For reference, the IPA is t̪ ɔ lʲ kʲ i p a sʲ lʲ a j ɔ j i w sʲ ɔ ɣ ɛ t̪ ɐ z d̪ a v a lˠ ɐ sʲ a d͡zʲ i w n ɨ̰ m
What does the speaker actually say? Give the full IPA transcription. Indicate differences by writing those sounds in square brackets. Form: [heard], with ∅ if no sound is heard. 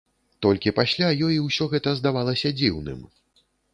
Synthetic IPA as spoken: t̪ ɔ lʲ kʲ i p a sʲ lʲ a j ɔ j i w sʲ ɔ ɣ ɛ t̪ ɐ z d̪ a v a lˠ ɐ sʲ [ɐ] d͡zʲ i w n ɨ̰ m